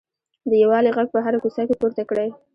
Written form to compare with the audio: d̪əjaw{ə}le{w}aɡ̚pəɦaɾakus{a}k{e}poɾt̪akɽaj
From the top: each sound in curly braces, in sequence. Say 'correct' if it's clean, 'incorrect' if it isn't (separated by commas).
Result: incorrect, incorrect, correct, correct